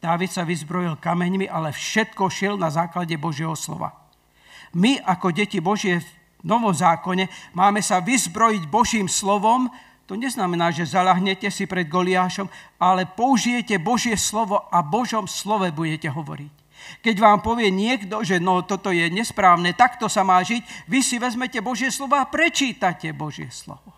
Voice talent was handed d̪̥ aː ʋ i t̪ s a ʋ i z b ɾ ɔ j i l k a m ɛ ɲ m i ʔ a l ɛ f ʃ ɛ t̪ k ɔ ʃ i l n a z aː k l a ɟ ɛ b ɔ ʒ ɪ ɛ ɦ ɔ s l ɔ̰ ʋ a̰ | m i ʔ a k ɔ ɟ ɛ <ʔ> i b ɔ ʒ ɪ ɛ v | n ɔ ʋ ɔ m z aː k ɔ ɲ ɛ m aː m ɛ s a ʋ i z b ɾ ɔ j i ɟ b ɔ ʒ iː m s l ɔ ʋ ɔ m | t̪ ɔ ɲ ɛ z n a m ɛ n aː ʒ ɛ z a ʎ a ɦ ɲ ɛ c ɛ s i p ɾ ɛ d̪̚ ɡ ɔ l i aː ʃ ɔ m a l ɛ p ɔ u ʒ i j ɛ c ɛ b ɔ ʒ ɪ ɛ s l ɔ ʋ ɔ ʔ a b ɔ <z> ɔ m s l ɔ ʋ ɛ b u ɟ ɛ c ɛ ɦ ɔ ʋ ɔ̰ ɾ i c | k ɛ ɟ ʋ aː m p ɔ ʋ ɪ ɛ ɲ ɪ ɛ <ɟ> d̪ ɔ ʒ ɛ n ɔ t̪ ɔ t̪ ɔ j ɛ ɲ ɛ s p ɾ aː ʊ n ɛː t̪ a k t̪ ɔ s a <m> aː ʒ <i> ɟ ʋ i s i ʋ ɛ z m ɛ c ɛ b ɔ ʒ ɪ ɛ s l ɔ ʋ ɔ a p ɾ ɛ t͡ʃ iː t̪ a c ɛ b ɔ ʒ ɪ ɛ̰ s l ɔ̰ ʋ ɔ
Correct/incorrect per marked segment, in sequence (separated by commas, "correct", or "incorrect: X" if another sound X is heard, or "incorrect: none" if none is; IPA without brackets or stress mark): incorrect: c, incorrect: ʒ, incorrect: ɡ, correct, correct